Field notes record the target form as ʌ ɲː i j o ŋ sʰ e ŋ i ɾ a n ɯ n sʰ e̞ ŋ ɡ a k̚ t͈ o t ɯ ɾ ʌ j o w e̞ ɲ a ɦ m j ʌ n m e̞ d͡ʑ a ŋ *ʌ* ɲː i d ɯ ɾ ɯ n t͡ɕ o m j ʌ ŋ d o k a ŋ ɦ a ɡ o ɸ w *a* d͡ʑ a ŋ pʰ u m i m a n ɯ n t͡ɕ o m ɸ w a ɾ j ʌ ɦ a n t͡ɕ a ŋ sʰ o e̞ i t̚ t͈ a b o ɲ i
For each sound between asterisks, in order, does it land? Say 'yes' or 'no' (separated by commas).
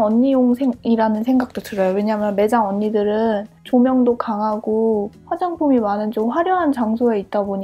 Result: yes, yes